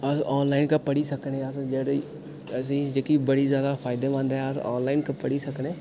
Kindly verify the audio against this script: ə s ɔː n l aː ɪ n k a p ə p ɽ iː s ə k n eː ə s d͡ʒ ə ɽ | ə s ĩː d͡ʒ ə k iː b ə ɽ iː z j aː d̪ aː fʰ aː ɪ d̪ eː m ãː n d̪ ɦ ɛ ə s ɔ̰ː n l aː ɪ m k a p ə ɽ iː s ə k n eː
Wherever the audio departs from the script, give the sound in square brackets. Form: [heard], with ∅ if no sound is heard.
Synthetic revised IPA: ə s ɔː n l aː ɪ n k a p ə [∅] ɽ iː s ə k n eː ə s d͡ʒ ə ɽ | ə s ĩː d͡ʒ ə k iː b ə ɽ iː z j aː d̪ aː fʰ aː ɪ d̪ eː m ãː n d̪ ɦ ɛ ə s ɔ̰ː n l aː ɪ [n] k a p ə ɽ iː s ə k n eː